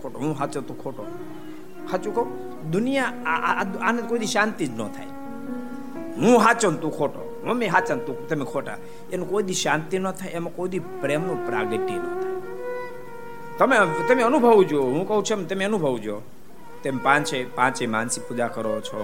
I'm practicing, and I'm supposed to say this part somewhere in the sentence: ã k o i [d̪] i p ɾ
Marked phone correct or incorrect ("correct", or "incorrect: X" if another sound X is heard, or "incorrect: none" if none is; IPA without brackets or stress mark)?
correct